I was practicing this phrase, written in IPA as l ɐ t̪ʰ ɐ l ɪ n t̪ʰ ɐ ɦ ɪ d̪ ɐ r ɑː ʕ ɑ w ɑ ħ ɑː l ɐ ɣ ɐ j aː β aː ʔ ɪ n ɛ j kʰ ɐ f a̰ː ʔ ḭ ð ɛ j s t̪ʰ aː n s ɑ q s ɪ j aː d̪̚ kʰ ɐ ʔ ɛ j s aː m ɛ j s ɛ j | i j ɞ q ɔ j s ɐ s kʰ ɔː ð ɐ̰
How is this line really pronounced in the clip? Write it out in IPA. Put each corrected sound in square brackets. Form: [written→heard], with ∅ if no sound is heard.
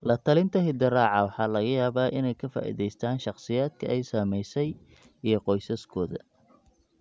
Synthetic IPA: l ɐ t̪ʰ ɐ l ɪ n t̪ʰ ɐ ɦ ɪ d̪ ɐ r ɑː ʕ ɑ w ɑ ħ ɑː l ɐ ɣ ɐ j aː β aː ʔ ɪ n ɛ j kʰ ɐ f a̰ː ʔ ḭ ð ɛ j s t̪ʰ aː n [s→ʃ] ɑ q s ɪ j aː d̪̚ kʰ ɐ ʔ ɛ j s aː m ɛ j s ɛ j | i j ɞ q ɔ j s ɐ s kʰ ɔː ð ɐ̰